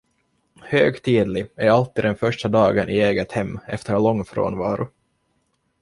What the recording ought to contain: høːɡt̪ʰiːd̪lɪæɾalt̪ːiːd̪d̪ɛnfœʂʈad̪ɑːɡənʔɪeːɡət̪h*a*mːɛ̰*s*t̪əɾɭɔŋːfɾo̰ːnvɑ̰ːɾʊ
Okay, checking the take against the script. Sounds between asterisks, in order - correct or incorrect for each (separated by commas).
incorrect, incorrect